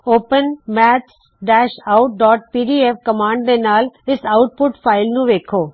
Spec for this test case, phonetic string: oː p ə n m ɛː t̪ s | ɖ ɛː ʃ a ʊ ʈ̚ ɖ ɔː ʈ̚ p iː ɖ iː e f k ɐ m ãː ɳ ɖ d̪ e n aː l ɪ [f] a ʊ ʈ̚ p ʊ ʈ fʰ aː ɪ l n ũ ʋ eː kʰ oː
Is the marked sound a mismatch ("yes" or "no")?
yes